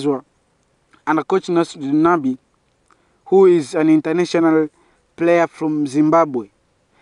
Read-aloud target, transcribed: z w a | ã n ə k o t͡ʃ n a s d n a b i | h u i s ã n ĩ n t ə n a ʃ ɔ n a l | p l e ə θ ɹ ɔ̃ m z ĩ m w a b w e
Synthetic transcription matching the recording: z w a | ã n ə k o t͡ʃ n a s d n a b i | h u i z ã n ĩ n t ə n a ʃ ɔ n a l | p l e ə f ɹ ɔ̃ m z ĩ m b a b w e